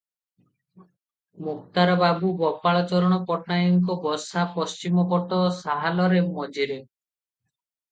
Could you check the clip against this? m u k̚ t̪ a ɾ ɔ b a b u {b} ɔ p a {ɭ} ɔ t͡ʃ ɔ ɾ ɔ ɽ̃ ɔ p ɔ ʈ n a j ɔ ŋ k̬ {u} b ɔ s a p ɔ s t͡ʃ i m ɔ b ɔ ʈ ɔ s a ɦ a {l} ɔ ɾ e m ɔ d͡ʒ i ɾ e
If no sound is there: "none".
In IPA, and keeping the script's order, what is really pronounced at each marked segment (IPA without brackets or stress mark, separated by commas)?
b, ɭ, ɔ, l